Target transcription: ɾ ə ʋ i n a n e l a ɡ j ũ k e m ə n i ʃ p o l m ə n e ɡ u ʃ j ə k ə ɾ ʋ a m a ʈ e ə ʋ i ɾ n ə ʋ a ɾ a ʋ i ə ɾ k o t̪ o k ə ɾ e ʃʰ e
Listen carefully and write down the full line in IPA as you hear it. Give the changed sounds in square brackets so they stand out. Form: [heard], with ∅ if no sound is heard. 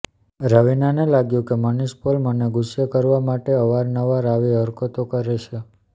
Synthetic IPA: ɾ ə ʋ i n a n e l a ɡ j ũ k e m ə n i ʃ p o l m ə n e ɡ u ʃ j ə k ə ɾ ʋ a m a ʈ e ə ʋ [a] ɾ n ə ʋ a ɾ a ʋ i ə ɾ k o t̪ o k ə ɾ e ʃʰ e